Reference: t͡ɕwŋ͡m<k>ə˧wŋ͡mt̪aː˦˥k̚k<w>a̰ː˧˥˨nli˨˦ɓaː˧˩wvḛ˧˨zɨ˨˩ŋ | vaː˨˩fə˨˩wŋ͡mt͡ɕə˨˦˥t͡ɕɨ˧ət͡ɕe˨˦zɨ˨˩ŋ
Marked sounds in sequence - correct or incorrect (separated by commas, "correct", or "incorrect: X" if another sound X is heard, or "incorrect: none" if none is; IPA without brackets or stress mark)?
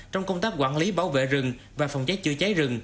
correct, correct